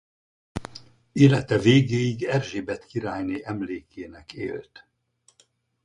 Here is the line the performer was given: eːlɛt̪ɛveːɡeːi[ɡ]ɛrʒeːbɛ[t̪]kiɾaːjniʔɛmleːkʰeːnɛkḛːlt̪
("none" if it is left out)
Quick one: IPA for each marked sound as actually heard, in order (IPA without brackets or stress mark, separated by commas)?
ɡ, t̪